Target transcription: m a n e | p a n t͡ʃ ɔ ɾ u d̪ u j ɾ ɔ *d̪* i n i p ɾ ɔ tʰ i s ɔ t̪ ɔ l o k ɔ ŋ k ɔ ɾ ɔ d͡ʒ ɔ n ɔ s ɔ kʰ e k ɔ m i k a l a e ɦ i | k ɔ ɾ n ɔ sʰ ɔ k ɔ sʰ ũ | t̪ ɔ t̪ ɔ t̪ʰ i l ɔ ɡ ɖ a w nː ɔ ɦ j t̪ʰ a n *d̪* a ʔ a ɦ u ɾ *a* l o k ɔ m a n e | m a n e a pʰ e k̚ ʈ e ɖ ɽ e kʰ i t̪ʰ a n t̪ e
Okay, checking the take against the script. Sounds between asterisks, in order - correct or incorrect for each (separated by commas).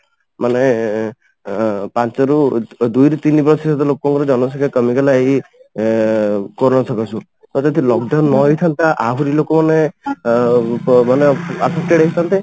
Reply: incorrect, incorrect, incorrect